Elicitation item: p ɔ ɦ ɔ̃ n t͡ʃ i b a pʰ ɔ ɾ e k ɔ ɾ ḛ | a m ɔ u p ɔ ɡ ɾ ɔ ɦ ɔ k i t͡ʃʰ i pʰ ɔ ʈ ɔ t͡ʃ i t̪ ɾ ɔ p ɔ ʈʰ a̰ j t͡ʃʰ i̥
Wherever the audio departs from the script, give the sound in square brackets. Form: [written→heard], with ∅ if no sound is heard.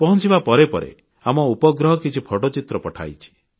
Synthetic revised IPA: p ɔ ɦ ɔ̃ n t͡ʃ i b a [pʰ→p] ɔ ɾ e [k→p] ɔ ɾ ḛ | a m ɔ u p ɔ ɡ ɾ ɔ ɦ ɔ k i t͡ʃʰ i pʰ ɔ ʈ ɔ t͡ʃ i t̪ ɾ ɔ p ɔ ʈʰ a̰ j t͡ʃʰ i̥